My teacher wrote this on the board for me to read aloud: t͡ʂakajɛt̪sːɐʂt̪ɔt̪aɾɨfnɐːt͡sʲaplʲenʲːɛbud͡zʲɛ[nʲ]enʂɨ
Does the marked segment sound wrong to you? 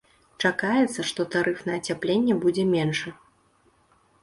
yes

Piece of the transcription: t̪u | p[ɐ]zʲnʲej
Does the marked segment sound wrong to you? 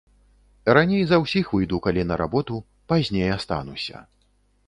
yes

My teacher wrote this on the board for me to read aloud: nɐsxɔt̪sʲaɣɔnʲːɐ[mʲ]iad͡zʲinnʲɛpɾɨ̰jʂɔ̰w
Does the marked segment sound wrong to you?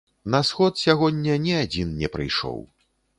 yes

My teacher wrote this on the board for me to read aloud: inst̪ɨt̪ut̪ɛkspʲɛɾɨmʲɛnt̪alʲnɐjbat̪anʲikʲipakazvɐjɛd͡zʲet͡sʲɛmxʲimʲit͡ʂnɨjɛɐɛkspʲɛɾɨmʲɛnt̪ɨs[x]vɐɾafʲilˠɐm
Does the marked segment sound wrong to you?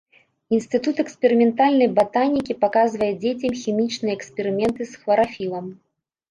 no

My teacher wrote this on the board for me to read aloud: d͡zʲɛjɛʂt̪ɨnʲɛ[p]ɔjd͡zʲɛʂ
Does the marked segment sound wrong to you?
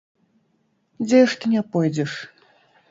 no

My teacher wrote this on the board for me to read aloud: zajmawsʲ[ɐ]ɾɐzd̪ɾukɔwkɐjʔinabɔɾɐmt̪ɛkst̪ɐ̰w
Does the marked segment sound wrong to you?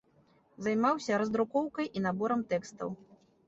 no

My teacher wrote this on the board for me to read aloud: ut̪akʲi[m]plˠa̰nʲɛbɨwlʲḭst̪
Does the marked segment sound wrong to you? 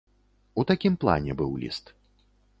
no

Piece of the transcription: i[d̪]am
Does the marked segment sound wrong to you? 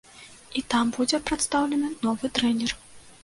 yes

